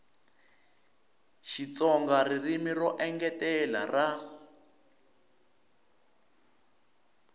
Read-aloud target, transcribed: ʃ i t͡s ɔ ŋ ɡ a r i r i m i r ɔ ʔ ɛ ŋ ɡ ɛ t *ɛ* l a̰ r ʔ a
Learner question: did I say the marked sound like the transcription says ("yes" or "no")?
yes